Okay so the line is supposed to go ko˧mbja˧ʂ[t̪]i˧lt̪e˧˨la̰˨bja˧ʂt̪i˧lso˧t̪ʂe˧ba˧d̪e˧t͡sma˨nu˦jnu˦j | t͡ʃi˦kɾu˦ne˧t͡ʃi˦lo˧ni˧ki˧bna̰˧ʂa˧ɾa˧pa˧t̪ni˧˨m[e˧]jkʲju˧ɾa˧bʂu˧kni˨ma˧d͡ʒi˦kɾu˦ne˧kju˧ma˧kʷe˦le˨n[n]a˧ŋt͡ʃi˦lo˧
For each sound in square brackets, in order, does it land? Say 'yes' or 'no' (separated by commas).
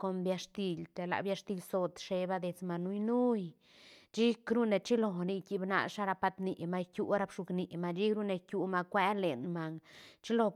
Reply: yes, no, no